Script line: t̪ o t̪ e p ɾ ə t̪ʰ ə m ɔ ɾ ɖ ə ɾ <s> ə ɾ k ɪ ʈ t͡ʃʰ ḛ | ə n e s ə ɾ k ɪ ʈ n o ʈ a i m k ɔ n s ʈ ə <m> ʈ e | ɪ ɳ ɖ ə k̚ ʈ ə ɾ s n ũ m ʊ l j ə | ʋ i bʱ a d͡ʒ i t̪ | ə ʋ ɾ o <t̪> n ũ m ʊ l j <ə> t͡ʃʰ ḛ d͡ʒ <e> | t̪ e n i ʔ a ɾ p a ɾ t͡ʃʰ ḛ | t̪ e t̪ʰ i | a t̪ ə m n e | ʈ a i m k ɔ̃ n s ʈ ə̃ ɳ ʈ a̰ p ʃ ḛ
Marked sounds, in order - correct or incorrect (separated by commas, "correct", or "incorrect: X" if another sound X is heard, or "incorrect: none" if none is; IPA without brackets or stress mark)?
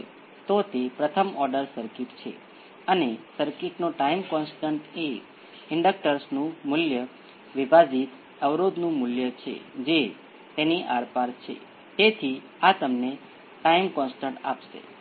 correct, incorrect: ɳ, incorrect: d̪, correct, correct